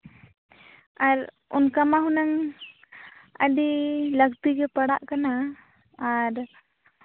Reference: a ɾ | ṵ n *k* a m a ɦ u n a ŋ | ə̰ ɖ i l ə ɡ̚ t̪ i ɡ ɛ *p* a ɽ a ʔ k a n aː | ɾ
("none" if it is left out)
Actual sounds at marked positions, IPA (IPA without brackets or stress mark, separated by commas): k, p